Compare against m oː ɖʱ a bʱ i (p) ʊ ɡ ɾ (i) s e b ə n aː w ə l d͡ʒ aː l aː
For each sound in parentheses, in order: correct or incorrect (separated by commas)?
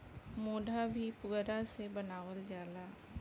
correct, incorrect